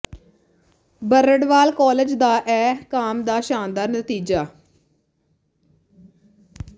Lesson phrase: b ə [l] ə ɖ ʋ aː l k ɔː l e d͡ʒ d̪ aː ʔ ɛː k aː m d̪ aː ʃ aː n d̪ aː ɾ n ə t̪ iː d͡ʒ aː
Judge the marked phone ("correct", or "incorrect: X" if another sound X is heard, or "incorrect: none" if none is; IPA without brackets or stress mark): incorrect: ɾ